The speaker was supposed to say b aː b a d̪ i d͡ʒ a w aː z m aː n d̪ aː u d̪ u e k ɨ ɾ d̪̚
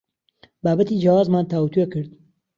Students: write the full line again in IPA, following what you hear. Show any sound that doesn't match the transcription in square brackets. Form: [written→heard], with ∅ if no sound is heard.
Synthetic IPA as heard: b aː b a [d̪→t̪] i d͡ʒ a w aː z m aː n [d̪→t̪] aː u [d̪→t̪] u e k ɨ ɾ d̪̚